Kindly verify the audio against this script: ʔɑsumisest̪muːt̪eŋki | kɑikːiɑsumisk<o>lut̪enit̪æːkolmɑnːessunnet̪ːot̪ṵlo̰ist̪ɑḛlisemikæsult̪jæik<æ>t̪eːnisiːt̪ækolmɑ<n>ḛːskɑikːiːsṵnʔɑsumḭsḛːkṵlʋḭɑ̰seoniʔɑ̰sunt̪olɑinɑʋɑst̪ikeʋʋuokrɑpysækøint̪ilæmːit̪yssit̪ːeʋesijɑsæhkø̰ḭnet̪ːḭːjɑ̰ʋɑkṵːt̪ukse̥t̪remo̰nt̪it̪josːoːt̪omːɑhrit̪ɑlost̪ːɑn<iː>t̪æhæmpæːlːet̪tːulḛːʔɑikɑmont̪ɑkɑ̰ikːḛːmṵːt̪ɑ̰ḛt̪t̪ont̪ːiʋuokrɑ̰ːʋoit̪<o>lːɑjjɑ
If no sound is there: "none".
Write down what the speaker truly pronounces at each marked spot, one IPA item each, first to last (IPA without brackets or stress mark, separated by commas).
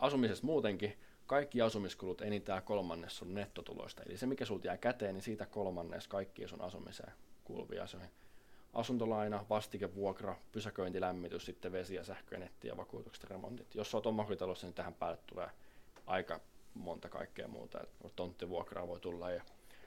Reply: u, æ, nː, i, u